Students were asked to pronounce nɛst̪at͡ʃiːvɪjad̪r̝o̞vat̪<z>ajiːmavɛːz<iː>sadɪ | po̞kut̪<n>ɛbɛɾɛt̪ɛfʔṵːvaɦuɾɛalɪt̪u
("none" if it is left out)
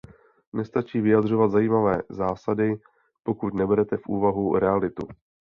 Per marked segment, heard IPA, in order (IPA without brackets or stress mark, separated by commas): z, aː, n